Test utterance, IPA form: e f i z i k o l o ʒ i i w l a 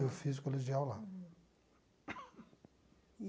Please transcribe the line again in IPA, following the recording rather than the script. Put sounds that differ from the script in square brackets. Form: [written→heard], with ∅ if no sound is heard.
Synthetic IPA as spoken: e f i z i k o l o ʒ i [i→a] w l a